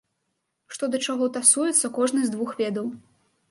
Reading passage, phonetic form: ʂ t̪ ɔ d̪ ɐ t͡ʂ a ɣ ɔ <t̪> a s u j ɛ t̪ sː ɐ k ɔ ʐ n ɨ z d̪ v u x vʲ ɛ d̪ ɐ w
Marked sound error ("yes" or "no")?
no